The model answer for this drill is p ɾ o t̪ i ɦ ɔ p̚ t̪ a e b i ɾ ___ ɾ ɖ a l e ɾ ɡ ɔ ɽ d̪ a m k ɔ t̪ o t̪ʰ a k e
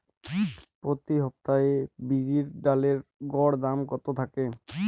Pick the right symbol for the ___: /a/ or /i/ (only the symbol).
i